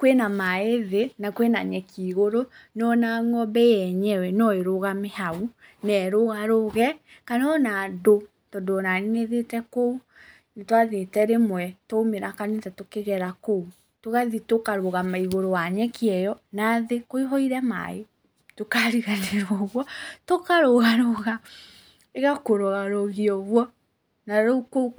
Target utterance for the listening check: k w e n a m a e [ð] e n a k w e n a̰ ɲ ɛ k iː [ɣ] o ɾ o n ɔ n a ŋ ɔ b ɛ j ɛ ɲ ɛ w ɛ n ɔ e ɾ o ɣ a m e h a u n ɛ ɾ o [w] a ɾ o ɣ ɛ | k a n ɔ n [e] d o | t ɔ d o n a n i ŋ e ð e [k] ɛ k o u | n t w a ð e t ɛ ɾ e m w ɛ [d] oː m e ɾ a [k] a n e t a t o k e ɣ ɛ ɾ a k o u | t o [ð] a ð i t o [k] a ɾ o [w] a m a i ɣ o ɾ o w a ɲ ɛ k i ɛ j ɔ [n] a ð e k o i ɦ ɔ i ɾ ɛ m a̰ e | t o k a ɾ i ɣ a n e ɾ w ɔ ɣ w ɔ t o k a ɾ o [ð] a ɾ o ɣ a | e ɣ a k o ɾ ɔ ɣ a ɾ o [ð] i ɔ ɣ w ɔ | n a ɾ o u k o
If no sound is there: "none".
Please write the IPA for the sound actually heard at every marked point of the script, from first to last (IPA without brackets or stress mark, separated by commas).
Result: ð, ɣ, ɣ, a, t, t, k, ɣ, k, ɣ, n, ɣ, ɣ